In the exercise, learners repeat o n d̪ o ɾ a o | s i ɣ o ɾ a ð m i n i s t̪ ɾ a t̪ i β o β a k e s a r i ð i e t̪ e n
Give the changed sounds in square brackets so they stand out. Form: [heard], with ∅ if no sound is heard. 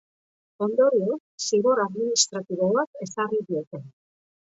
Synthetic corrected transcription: o n d̪ o ɾ [i] o | s i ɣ o ɾ a ð m i n i s t̪ ɾ a t̪ i β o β a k e s a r i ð i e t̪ e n